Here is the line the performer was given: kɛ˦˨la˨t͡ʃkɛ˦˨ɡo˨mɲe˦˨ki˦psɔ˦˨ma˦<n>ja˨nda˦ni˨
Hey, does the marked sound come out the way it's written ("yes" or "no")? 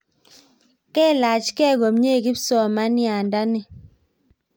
yes